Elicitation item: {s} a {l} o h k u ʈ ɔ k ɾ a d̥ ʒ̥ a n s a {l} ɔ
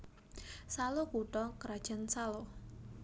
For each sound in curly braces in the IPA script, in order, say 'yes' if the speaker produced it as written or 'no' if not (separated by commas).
yes, yes, yes